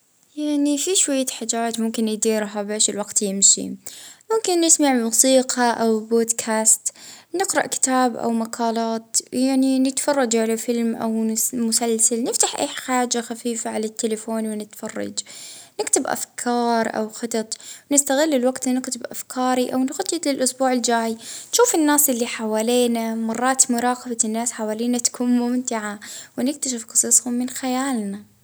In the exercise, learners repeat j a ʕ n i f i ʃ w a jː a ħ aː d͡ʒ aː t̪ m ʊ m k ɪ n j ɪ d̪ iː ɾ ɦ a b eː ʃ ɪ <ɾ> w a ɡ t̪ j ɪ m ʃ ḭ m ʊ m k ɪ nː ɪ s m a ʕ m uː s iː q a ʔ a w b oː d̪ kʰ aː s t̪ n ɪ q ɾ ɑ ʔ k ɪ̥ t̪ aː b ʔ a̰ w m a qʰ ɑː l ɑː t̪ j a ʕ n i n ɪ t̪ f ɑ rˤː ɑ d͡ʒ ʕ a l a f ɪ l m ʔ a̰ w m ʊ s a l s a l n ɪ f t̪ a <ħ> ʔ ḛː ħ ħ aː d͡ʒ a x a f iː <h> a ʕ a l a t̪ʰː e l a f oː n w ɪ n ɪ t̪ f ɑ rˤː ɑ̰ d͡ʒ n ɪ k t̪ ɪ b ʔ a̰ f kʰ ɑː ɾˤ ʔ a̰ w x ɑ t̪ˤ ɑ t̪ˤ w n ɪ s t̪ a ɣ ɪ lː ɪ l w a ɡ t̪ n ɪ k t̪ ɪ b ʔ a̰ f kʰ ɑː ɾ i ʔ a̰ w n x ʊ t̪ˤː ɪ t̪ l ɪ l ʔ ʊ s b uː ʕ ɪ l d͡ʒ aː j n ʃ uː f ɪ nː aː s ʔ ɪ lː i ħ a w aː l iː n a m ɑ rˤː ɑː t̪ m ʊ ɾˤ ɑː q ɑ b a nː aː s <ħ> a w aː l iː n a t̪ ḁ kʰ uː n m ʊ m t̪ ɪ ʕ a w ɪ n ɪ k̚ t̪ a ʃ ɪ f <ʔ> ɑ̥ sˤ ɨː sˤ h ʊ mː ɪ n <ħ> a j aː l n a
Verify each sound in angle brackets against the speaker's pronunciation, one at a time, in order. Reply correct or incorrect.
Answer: incorrect: l, correct, incorrect: f, correct, incorrect: q, incorrect: x

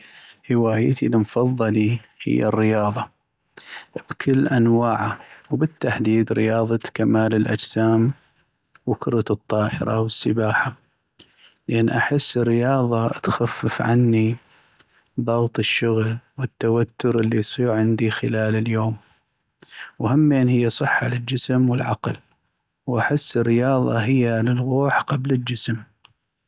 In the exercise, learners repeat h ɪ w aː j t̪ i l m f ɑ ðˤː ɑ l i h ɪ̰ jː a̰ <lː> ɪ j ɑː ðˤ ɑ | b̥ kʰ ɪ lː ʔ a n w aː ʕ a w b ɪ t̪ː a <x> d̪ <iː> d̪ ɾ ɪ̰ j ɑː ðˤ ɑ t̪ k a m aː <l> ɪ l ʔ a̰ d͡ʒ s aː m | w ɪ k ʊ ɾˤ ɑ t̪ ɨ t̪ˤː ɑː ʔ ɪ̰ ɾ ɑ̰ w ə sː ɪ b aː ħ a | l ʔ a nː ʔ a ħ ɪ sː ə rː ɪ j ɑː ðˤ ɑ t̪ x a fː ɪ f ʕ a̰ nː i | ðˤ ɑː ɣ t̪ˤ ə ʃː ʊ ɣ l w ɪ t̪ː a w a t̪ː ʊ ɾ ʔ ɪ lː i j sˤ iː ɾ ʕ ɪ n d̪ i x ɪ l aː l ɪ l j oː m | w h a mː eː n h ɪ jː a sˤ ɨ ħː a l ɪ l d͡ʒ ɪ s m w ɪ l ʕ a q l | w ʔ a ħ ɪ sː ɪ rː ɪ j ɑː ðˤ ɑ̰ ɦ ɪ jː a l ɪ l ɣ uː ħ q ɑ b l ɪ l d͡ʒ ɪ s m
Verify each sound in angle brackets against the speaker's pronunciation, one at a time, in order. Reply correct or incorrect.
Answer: incorrect: rː, incorrect: ħ, correct, correct

